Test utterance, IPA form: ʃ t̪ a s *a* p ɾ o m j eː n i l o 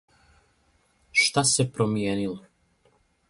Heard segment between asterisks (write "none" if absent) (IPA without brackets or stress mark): e